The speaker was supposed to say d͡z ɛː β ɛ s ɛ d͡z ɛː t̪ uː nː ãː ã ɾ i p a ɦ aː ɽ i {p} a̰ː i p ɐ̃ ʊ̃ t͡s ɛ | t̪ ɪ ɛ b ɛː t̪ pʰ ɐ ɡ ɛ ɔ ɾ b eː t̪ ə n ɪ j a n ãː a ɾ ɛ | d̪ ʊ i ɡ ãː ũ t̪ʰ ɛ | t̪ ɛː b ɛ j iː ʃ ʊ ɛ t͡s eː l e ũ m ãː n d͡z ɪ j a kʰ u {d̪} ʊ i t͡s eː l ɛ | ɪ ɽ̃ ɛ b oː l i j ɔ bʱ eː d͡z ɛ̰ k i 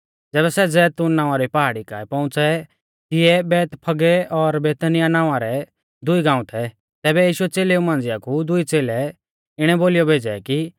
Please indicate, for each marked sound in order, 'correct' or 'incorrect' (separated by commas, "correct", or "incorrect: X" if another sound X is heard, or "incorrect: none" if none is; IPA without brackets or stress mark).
incorrect: k, correct